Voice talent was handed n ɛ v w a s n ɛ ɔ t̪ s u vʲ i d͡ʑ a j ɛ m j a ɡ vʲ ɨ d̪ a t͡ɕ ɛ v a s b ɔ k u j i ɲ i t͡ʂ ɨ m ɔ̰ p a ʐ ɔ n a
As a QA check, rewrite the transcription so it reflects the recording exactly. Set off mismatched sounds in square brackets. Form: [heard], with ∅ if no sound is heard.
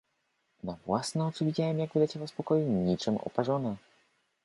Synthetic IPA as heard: n [a] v w a s n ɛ ɔ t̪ s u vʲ i d͡ʑ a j ɛ m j a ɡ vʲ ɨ d̪ a t͡ɕ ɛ v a s [p] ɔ k [ɔ] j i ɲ i t͡ʂ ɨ m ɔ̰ p a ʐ ɔ n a